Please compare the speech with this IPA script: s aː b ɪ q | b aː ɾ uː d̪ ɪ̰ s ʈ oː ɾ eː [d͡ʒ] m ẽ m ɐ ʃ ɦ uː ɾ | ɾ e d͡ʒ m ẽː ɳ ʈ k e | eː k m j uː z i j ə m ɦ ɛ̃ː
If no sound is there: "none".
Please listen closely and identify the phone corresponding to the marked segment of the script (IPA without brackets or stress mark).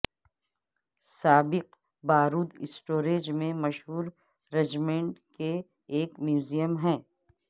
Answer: d͡ʒ